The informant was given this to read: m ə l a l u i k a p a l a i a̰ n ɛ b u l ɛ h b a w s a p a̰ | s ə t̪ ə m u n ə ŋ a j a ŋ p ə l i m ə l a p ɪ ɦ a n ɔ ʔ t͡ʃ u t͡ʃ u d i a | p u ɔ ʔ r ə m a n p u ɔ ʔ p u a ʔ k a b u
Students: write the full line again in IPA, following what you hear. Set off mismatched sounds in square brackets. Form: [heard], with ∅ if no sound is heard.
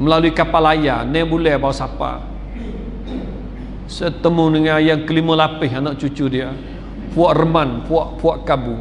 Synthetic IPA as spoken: m ə l a l u i k a p a l a [j] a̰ n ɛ b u l ɛ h b a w s a p a̰ | s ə t̪ ə m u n ə ŋ a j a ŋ [k] ə l i m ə l a p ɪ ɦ a n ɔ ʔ t͡ʃ u t͡ʃ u d i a | p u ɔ ʔ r ə m a n p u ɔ ʔ p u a ʔ k a b u